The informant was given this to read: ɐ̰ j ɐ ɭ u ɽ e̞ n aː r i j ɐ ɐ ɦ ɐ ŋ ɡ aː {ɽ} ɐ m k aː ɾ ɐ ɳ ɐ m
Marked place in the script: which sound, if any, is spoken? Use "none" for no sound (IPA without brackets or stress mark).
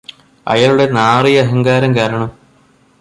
ɾ